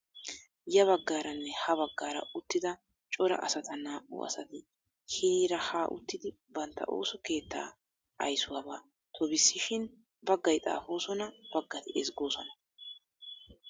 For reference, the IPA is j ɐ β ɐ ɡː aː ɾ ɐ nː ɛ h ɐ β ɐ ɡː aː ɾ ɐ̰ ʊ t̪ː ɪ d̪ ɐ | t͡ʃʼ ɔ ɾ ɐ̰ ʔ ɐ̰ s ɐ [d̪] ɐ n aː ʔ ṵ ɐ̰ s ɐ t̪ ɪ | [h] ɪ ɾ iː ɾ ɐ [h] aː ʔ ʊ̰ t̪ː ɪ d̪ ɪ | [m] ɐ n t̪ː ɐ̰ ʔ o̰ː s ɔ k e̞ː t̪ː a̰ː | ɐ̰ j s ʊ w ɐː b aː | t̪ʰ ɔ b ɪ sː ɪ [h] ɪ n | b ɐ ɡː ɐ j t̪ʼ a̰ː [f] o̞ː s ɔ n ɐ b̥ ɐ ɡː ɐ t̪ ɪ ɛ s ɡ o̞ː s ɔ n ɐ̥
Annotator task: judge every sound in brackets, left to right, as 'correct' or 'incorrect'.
incorrect, correct, correct, incorrect, incorrect, correct

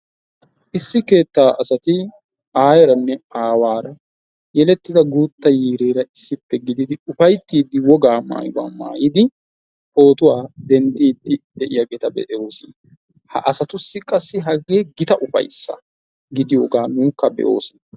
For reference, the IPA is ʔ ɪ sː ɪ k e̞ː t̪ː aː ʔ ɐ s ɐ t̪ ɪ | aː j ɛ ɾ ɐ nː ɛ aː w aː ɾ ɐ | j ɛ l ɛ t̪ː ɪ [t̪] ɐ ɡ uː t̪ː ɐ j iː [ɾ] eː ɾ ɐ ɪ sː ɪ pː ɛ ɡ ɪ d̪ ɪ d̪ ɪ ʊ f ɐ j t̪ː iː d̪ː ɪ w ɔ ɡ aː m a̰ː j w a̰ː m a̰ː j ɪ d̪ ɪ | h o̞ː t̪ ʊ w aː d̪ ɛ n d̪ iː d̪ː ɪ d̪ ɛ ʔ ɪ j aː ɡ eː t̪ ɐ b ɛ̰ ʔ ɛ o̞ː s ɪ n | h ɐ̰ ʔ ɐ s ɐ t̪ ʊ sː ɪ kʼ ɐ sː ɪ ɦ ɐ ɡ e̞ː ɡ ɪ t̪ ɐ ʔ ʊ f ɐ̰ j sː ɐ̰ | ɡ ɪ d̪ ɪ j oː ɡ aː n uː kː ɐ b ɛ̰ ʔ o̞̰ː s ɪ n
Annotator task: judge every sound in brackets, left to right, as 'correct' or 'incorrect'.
incorrect, correct

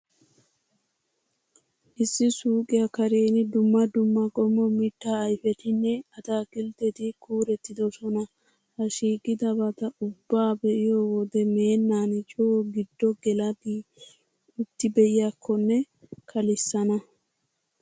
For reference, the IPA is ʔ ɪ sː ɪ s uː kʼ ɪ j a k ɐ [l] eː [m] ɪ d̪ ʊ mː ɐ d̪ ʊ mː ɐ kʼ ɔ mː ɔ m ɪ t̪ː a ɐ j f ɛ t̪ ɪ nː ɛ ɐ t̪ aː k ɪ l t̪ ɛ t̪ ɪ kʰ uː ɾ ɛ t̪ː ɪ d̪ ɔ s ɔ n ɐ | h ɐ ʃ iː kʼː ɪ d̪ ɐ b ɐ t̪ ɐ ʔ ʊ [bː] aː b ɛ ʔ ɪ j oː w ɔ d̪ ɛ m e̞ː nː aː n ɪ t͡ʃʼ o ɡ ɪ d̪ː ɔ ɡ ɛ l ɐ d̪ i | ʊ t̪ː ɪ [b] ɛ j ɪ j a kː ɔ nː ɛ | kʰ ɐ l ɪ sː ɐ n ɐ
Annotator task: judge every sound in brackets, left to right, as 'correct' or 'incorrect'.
incorrect, incorrect, correct, correct

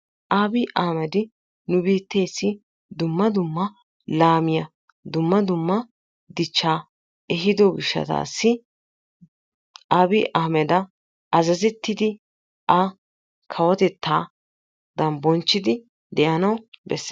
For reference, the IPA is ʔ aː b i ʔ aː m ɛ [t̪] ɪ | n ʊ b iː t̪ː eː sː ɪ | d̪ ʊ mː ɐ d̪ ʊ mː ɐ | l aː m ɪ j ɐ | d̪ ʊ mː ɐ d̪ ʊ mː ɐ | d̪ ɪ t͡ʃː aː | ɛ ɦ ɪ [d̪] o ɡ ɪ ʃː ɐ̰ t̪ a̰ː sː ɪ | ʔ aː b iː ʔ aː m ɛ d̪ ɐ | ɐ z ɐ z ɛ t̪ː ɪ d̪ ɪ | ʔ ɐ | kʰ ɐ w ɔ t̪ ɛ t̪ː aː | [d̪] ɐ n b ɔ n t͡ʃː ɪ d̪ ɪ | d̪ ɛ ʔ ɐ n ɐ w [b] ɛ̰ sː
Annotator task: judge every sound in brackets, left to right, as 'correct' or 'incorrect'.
incorrect, correct, correct, correct

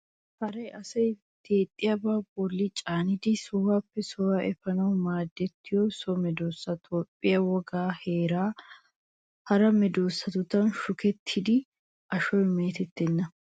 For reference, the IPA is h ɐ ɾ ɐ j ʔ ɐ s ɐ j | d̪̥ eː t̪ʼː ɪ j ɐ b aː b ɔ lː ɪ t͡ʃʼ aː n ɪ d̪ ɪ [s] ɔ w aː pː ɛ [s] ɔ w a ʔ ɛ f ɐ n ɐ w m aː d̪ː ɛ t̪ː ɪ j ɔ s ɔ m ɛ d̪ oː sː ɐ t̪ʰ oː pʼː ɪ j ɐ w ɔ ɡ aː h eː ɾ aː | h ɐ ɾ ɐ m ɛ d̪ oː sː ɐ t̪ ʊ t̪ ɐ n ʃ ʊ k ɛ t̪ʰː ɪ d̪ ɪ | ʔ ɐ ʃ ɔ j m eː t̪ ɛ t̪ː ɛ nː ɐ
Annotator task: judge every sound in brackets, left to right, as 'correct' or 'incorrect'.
correct, correct

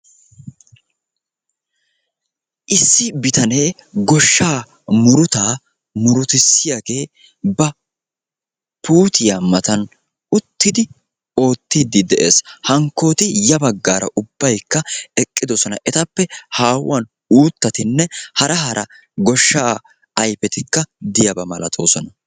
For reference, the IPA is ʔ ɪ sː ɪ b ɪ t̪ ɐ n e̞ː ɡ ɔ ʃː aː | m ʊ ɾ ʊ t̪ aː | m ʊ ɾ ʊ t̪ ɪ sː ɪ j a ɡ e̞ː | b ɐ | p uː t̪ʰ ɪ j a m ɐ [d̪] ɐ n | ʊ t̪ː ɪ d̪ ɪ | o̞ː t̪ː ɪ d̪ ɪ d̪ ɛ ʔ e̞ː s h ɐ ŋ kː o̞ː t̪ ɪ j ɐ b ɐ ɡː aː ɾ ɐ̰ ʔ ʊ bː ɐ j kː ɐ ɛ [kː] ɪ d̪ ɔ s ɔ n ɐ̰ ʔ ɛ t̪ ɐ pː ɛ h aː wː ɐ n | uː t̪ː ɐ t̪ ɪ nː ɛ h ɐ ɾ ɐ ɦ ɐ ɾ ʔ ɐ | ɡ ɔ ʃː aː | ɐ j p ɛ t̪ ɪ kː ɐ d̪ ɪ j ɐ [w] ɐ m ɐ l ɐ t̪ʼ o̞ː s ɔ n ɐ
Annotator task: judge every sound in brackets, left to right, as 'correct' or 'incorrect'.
incorrect, incorrect, incorrect

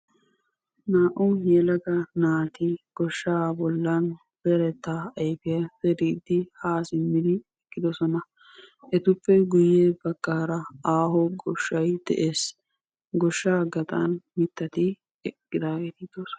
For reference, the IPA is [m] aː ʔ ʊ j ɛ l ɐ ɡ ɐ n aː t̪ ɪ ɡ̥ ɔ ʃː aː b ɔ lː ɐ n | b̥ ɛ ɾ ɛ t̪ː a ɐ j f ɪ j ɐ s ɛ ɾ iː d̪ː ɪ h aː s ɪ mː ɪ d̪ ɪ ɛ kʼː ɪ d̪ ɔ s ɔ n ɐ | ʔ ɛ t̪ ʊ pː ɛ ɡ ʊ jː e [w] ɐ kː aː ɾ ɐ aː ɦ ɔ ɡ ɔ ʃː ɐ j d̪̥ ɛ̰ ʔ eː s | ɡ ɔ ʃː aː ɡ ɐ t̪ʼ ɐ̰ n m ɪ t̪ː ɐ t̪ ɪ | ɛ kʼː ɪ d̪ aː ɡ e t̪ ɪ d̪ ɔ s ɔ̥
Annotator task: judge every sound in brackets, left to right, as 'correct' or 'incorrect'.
incorrect, incorrect

